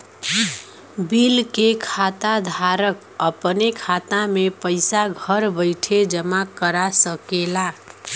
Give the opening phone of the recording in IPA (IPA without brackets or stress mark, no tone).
b